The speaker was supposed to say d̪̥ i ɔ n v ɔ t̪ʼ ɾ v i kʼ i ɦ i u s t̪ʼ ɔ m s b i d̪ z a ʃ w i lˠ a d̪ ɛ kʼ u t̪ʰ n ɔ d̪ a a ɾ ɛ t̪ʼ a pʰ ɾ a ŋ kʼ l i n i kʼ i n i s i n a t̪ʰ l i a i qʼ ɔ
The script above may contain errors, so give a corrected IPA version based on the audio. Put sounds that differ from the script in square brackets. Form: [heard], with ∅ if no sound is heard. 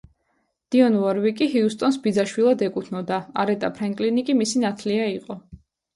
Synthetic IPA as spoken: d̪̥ i ɔ n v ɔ [∅] ɾ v i kʼ i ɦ i u s t̪ʼ ɔ [n] s b i d̪ z a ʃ w i lˠ a d̪ ɛ kʼ u t̪ʰ n ɔ d̪ a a ɾ ɛ t̪ʼ a pʰ ɾ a ŋ kʼ l i n i kʼ i [m] i s i n a t̪ʰ l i a i qʼ ɔ